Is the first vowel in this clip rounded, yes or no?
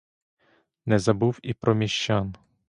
no